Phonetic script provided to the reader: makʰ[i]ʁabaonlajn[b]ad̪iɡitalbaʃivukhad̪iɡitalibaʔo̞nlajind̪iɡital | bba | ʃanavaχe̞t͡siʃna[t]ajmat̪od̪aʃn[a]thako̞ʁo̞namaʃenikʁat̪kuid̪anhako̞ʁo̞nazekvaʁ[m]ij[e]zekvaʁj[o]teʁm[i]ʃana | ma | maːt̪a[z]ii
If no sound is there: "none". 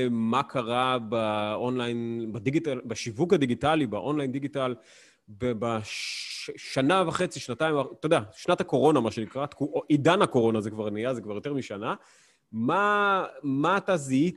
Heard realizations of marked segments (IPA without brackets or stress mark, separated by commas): a, b, t, a, n, a, o, i, z